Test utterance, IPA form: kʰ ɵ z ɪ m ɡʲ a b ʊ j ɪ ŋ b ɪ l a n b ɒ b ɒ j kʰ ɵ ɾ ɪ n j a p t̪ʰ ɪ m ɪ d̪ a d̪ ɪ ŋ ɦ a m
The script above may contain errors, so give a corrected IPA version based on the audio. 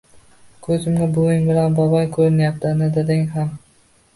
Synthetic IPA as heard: kʰ ɵ z ɪ m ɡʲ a b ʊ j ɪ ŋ b ɪ l a n b ɒ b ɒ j kʰ ɵ ɾ ɪ n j a p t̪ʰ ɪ n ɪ d̪ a d̪ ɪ ŋ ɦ a m